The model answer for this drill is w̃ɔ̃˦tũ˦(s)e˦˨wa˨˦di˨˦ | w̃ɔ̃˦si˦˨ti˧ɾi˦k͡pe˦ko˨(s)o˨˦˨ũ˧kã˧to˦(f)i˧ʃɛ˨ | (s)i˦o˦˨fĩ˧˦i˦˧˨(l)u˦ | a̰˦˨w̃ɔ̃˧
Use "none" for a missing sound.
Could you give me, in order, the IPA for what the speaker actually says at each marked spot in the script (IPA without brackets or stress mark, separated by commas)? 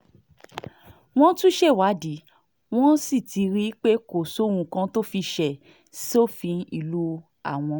ʃ, s, f, s, l